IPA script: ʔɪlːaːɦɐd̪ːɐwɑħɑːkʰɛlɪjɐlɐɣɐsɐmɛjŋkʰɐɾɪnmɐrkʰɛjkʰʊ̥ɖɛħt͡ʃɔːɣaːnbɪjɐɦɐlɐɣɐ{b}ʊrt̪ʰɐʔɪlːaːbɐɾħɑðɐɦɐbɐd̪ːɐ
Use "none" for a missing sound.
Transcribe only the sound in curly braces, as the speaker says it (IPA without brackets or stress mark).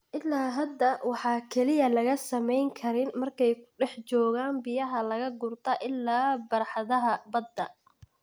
ɡ